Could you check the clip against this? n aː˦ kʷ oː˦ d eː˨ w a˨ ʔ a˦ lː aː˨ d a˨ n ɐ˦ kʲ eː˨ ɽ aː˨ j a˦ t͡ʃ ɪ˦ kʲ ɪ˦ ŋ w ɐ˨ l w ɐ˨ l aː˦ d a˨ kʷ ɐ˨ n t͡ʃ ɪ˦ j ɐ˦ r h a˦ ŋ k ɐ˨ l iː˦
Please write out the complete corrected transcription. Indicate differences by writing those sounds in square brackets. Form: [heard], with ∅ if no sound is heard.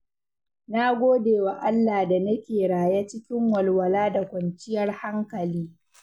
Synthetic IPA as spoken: n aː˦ [ɡʷ] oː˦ d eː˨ w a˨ ʔ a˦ lː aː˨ d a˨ n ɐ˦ kʲ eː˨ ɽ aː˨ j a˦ t͡ʃ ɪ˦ kʲ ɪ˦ ŋ w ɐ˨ l w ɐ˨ l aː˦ d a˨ kʷ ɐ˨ n t͡ʃ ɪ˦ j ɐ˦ r h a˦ ŋ k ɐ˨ l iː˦